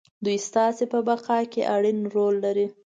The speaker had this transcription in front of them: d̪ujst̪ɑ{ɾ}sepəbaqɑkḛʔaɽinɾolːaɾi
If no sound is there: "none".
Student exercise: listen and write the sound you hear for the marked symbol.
none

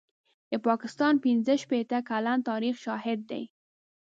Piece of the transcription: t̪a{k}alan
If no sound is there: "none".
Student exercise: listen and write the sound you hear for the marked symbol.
k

